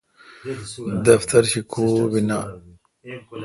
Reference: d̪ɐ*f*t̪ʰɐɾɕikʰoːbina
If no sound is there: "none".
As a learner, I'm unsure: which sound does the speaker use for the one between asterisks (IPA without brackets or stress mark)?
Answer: f